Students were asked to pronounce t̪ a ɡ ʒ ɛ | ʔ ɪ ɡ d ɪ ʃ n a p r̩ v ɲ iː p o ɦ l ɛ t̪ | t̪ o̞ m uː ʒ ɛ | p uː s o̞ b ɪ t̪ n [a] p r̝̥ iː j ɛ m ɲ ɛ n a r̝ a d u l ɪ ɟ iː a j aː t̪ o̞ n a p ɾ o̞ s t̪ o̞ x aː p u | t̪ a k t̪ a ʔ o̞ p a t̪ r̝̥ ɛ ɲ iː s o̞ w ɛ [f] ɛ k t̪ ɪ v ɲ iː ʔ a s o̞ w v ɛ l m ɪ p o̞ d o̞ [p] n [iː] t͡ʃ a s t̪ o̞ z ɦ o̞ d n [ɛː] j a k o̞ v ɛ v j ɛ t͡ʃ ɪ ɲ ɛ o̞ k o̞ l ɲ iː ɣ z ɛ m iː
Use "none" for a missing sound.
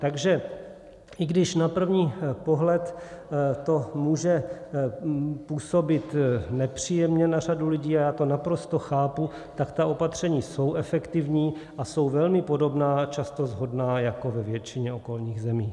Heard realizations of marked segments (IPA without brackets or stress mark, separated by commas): ɛ, f, b, aː, aː